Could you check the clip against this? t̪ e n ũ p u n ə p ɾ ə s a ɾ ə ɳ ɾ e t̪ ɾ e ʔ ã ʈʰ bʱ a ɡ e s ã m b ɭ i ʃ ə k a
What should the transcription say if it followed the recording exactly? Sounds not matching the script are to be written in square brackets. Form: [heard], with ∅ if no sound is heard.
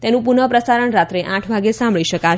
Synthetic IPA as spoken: t̪ e n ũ p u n ə p ɾ ə s a ɾ ə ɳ ɾ [a] t̪ ɾ e ʔ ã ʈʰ bʱ a ɡ e s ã m b ɭ i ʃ ə k a